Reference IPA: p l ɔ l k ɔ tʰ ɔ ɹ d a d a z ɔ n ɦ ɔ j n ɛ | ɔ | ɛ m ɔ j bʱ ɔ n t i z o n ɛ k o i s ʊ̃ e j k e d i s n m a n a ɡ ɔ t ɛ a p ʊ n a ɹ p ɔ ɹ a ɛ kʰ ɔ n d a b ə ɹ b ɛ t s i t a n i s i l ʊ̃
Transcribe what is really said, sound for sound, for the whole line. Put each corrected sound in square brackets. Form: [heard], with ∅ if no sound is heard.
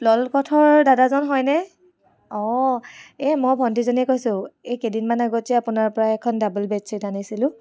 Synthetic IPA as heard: p l ɔ l k ɔ tʰ ɔ ɹ d a d a z ɔ n ɦ ɔ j n ɛ | ɔ | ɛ m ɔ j bʱ ɔ n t i z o n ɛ k o [j] s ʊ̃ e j k e d i [∅] n m a n a ɡ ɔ t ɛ a p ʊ n a ɹ p ɔ ɹ a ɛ kʰ ɔ n d a b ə [l] b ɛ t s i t a n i s i l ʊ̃